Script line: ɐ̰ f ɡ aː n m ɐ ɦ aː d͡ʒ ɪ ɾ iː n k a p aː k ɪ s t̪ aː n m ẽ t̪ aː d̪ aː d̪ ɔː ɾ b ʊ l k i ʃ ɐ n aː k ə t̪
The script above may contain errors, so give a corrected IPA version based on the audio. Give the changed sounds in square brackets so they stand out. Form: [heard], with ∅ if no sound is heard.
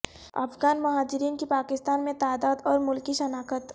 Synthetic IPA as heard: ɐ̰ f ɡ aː n m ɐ ɦ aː d͡ʒ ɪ ɾ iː n k [i] p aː k ɪ s t̪ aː n m ẽ t̪ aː d̪ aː d̪ ɔː ɾ [m] ʊ l k i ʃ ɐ n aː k ə t̪